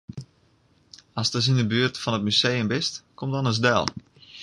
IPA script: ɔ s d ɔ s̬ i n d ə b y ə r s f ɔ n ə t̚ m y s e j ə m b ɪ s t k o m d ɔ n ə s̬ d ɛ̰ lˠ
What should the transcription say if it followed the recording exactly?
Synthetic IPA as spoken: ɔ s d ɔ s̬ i n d ə b y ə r t f ɔ n ə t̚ m y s e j ə m b ɪ s t k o m d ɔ n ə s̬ d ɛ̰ lˠ